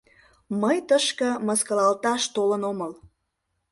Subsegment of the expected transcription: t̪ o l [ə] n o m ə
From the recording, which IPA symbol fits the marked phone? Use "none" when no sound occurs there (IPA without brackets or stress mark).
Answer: ə